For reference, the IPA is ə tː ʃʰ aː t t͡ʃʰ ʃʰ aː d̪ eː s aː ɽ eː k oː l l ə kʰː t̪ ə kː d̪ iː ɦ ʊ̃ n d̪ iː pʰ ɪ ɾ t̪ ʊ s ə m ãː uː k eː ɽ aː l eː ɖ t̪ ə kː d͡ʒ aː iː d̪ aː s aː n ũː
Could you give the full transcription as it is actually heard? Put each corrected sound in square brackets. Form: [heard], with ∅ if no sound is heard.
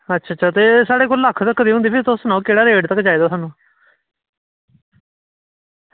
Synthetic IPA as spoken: ə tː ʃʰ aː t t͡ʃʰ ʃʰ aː [t̪] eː s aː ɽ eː k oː l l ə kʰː t̪ ə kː d̪ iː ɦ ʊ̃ n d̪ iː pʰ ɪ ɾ t̪ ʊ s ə [n] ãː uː k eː ɽ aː [ɾ] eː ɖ t̪ ə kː d͡ʒ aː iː d̪ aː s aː n ũː